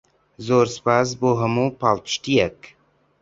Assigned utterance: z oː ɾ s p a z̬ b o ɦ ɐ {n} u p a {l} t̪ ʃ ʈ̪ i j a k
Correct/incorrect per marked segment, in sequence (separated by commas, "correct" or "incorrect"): incorrect, correct